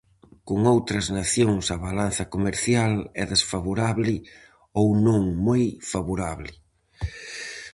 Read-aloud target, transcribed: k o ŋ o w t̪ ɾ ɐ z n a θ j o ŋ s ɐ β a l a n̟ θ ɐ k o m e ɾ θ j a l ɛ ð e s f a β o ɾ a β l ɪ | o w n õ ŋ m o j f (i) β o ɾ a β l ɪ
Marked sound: incorrect: a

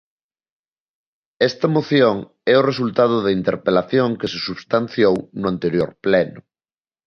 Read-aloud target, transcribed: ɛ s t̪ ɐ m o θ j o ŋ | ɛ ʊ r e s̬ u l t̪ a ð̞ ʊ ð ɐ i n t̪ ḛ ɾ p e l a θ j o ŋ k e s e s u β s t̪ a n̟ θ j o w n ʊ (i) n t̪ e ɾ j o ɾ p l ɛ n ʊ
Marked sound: incorrect: a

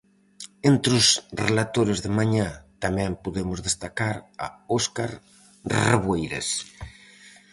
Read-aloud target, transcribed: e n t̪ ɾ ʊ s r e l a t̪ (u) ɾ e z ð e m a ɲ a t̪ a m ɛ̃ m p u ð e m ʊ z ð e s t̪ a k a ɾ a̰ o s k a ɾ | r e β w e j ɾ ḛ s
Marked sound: incorrect: o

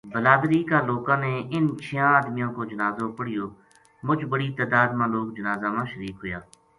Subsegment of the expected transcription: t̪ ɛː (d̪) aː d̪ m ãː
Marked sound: correct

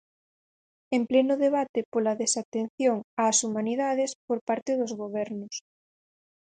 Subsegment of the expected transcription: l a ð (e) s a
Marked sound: correct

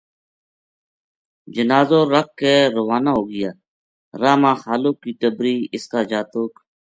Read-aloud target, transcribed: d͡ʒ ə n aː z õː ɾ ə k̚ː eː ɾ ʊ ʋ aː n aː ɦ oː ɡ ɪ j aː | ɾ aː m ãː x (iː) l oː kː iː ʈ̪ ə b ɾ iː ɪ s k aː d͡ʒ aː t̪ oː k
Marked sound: incorrect: aː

